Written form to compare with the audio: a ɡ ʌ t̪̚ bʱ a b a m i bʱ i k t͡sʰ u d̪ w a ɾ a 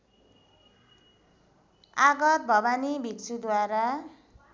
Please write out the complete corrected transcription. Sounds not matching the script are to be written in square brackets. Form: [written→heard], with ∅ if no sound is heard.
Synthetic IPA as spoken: a ɡ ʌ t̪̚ bʱ [a→ʌ] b a [m→n] i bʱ i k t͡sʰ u d̪ w a ɾ a